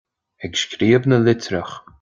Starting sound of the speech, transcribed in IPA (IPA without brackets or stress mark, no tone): ɛ